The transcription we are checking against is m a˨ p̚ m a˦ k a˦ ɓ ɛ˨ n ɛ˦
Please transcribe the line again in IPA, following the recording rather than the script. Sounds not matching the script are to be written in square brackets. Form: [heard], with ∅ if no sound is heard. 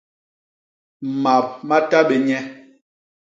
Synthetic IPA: m a˨ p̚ m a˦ [t] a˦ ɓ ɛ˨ [ɲ] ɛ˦